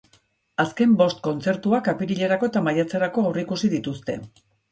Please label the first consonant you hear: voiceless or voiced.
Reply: voiceless